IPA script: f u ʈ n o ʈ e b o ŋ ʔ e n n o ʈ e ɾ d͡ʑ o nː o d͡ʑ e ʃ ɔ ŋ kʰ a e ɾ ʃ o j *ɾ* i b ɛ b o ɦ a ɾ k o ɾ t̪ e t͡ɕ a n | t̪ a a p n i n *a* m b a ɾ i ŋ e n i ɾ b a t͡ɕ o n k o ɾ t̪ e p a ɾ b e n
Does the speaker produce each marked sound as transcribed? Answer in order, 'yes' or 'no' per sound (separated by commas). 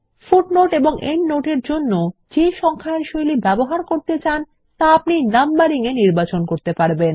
no, yes